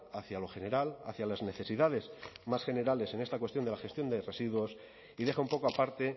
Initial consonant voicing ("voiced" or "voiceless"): voiceless